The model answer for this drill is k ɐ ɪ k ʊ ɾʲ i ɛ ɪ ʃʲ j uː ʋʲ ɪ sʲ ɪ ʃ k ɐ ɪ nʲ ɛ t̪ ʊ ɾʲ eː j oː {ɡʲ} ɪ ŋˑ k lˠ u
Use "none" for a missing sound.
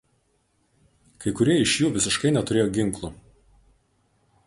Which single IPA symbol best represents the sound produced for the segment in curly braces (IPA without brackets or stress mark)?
ɡʲ